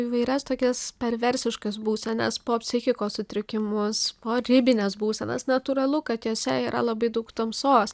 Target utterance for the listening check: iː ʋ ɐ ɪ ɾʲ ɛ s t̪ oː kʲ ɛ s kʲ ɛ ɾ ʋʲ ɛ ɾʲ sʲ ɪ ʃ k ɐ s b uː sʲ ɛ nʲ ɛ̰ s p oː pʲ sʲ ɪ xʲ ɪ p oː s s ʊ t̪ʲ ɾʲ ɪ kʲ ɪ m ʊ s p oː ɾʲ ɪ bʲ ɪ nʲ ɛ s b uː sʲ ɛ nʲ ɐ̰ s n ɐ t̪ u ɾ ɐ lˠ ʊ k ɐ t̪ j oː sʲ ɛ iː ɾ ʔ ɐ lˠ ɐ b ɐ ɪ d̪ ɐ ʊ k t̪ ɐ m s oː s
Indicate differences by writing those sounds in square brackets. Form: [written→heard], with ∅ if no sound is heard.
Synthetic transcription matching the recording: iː ʋ ɐ ɪ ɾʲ ɛ s t̪ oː kʲ ɛ s [kʲ→pʲ] ɛ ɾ ʋʲ ɛ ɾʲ sʲ ɪ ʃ k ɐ s b uː sʲ ɛ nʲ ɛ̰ s p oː pʲ sʲ ɪ xʲ ɪ [p→k] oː s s ʊ t̪ʲ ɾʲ ɪ kʲ ɪ m ʊ s p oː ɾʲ ɪ bʲ ɪ nʲ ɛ s b uː sʲ ɛ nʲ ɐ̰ s n ɐ t̪ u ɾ ɐ lˠ ʊ k ɐ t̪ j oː sʲ ɛ iː ɾ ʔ ɐ lˠ ɐ b ɐ ɪ d̪ ɐ ʊ k t̪ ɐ m s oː s